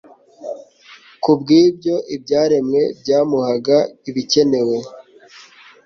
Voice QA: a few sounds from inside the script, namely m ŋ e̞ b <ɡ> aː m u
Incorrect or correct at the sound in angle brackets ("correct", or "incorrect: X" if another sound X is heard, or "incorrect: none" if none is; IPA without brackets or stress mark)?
incorrect: ɟ